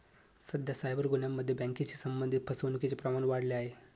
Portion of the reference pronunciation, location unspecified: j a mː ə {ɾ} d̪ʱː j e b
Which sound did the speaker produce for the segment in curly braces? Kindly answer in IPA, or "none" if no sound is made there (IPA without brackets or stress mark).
none